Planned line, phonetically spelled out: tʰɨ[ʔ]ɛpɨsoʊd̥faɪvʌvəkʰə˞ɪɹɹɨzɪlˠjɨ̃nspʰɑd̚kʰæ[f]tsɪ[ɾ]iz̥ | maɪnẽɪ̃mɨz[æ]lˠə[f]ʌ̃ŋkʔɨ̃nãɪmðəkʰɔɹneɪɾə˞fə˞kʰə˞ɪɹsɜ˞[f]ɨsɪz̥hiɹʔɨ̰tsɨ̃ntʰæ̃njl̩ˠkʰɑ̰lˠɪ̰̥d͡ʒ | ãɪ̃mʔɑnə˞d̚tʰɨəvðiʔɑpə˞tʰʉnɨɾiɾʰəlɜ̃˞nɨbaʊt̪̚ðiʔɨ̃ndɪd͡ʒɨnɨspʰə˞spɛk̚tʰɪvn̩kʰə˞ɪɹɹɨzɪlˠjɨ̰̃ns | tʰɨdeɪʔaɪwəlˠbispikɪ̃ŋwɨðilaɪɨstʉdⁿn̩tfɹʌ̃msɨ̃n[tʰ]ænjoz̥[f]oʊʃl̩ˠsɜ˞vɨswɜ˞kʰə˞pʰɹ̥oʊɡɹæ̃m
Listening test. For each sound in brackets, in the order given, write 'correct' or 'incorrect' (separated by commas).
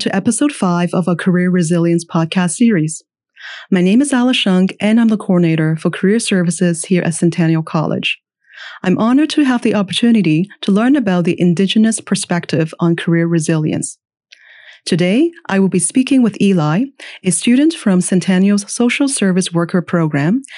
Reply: correct, incorrect, incorrect, correct, incorrect, incorrect, correct, incorrect